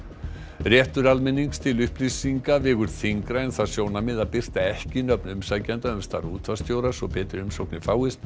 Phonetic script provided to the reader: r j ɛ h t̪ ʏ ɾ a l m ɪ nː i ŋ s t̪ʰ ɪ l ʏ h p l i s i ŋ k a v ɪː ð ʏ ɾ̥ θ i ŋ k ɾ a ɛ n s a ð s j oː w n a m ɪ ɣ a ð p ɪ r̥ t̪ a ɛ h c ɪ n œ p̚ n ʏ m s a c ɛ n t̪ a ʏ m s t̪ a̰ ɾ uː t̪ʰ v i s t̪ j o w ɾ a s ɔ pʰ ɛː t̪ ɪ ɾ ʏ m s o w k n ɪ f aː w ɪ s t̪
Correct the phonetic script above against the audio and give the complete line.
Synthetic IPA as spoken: r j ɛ h t̪ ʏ ɾ a l m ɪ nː i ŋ s t̪ʰ ɪ l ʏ h p l i s i ŋ k a v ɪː ɣ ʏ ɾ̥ θ i ŋ k ɾ a ɛ n θ a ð s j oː w n a m ɪ ð a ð p ɪ r̥ t̪ a ɛ h c ɪ n œ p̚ n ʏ m s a c ɛ n t̪ a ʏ m s t̪ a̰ ɾ uː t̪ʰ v a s t̪ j o w ɾ a s ɔ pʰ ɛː t̪ ɪ ɾ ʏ m s o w k n ɪ f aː w ɪ s t̪